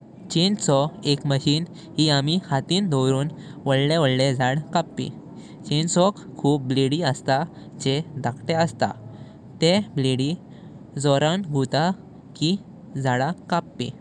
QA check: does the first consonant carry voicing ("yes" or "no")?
no